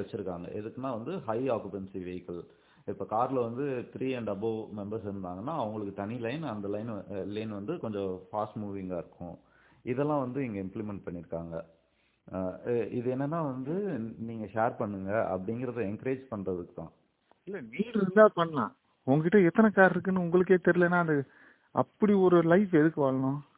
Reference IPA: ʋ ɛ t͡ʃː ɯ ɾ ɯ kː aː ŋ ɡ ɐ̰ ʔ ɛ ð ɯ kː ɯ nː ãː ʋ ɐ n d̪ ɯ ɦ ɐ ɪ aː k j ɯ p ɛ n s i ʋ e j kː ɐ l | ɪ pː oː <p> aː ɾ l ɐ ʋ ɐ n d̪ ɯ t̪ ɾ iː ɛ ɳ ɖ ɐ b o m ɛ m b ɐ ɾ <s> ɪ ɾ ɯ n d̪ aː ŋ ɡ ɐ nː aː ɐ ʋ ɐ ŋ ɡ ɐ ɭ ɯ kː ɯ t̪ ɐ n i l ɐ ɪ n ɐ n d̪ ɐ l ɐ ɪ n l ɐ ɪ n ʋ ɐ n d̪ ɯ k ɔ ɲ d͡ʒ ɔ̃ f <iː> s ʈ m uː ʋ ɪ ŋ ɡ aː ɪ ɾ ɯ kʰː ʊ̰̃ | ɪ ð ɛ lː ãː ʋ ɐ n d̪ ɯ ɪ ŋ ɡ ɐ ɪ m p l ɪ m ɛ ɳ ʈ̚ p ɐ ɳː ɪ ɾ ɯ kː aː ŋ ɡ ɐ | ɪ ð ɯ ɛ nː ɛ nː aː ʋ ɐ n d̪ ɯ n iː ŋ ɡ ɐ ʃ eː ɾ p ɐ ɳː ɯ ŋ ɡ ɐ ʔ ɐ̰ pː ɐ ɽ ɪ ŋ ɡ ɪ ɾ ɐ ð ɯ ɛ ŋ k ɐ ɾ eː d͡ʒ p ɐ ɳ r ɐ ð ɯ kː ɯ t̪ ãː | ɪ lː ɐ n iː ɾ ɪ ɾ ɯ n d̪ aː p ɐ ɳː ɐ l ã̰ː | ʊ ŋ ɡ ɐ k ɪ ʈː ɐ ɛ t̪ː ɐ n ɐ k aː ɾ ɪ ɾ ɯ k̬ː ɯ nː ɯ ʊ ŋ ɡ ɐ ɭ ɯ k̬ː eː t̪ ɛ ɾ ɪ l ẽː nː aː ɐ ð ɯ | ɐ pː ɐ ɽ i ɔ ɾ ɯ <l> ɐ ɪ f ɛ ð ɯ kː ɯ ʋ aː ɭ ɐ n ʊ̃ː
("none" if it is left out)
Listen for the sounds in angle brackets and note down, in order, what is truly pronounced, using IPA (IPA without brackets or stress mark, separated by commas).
k, s, aː, l